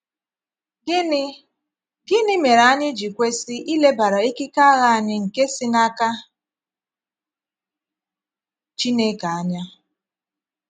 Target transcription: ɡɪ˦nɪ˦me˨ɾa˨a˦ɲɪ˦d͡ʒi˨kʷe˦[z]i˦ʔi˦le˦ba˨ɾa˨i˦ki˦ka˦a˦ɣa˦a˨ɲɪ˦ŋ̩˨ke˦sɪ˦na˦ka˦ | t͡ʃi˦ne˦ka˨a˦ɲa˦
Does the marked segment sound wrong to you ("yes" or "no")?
yes